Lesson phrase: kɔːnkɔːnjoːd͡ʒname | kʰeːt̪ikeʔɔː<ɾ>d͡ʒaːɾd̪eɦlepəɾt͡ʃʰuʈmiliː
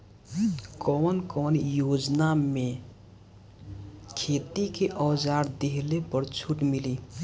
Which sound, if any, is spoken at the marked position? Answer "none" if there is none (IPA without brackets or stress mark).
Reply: none